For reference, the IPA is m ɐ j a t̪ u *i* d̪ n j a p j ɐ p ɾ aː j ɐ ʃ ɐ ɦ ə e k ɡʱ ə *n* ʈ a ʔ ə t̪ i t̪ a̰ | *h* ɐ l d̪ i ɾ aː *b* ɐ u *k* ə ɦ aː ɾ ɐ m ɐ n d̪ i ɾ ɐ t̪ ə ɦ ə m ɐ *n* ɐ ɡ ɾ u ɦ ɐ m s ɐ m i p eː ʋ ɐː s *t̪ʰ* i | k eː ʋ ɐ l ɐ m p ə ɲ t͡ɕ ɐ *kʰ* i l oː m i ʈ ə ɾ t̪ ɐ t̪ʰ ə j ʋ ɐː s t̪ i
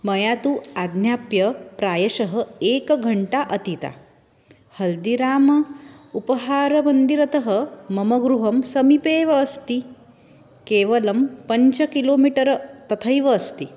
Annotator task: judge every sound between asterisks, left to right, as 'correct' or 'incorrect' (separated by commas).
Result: incorrect, incorrect, correct, incorrect, incorrect, incorrect, incorrect, incorrect